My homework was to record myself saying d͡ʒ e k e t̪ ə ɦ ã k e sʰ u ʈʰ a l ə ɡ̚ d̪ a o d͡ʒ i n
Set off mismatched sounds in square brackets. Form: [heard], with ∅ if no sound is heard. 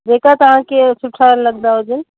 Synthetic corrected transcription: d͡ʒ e k [a] t̪ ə ɦ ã k e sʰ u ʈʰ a l ə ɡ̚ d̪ a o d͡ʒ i n